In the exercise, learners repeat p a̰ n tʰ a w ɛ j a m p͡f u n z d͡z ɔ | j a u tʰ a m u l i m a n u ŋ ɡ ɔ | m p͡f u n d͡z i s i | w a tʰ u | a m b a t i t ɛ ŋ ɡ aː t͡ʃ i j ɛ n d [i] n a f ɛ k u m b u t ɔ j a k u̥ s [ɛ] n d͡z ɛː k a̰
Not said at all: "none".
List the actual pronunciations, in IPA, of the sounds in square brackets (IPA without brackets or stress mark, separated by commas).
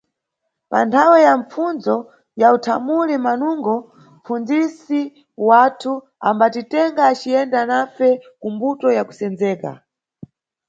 a, ɛ